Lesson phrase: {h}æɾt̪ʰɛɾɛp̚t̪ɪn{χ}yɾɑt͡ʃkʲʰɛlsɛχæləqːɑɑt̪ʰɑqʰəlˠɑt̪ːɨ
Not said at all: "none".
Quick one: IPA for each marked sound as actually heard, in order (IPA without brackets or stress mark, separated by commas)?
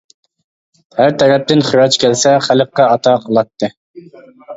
h, χ